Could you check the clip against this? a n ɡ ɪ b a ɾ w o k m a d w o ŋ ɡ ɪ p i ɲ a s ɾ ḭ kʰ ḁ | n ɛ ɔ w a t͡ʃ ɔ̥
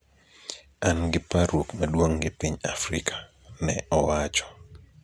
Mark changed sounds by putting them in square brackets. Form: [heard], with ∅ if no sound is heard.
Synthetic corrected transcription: a n ɡ ɪ [p] a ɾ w o k m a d w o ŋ ɡ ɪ p i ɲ a [f] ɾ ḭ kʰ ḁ | n ɛ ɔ w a t͡ʃ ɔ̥